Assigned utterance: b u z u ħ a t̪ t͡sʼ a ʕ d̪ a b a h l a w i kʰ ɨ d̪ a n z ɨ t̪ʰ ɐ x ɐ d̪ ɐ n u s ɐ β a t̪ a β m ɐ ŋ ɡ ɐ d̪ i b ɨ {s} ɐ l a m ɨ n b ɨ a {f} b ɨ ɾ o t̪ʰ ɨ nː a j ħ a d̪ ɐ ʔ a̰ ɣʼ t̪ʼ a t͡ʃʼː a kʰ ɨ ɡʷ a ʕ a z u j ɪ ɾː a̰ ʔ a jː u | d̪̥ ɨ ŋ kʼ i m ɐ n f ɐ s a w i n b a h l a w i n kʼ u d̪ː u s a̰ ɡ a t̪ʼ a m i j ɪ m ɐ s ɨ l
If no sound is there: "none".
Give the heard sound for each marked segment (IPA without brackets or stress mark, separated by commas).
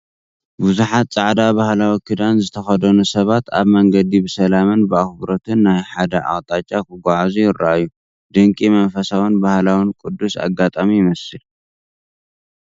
s, x